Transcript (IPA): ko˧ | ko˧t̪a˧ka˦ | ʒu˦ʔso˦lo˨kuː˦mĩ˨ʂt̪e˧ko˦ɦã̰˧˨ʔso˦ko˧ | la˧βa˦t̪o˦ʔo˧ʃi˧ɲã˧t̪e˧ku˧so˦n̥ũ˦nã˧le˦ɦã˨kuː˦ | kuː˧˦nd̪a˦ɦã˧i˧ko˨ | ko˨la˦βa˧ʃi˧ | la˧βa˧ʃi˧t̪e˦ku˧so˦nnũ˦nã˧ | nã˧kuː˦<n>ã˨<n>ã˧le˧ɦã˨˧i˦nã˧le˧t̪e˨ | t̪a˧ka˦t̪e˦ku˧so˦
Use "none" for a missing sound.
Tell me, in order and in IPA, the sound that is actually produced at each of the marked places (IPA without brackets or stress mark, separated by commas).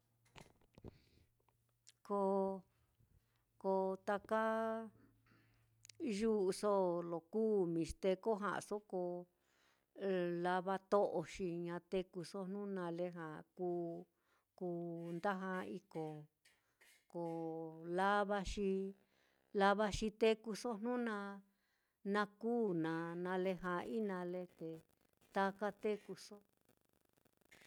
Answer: n, n